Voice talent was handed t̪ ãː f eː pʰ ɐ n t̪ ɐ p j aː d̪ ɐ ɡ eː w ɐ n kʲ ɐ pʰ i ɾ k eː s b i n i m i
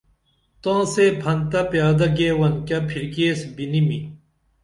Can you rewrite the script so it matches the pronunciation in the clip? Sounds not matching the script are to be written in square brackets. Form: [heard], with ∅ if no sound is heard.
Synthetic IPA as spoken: t̪ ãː [s] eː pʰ ɐ n t̪ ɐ p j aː d̪ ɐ ɡ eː w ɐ n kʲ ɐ pʰ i ɾ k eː s b i n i m i